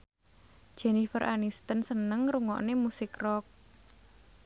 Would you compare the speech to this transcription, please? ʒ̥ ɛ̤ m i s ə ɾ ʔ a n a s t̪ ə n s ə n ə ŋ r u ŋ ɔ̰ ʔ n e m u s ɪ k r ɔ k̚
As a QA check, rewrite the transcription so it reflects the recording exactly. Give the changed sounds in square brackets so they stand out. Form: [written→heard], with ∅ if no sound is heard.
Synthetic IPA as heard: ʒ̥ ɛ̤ [m→n] i [s→f] ə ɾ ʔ a n [a→i] s t̪ ə n s ə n ə ŋ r u ŋ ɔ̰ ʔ n e m u s ɪ k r ɔ k̚